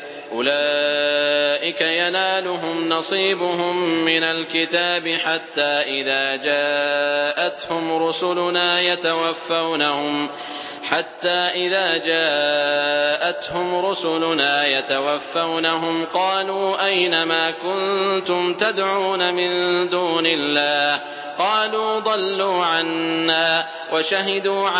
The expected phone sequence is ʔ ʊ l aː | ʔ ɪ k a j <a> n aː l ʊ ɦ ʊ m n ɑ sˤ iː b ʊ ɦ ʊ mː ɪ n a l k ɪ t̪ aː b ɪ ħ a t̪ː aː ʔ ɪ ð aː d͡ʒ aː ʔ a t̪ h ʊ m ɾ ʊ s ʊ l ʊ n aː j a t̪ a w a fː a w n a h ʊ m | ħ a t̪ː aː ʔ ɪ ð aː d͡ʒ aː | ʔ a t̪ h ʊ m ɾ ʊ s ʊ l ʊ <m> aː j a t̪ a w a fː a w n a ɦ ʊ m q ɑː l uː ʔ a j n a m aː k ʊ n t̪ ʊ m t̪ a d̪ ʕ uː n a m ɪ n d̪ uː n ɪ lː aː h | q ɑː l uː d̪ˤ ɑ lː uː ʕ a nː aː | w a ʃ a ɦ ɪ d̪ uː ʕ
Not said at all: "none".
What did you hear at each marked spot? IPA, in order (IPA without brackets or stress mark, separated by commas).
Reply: a, n